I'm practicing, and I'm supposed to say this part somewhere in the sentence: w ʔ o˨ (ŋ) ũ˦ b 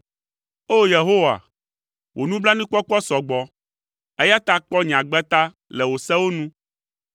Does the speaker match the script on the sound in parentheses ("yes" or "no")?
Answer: no